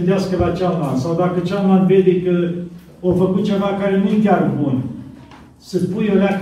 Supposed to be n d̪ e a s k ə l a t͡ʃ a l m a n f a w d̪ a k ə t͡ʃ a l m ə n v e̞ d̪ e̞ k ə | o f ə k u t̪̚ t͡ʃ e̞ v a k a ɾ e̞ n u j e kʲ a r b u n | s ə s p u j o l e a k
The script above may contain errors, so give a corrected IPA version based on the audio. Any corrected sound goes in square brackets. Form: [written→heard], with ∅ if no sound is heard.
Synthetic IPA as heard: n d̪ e a s k ə l a t͡ʃ a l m a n [f→s] a w d̪ a k ə t͡ʃ a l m [ə→a] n v e̞ d̪ e̞ k ə | o f ə k u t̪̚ t͡ʃ e̞ v a k a ɾ e̞ n u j e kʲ a r b u n | s ə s p u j o l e a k